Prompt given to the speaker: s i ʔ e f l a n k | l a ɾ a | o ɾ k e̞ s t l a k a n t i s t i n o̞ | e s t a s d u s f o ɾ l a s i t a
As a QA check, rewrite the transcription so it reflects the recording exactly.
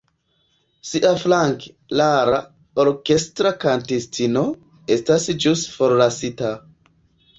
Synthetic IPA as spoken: s i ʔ a f l a ŋ k | l a ɾ a | o ɾ k e̞ s t ɾ a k a n t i s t i n o̞ | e s t a s d͡ʒ u s f o ɾ l a s i t a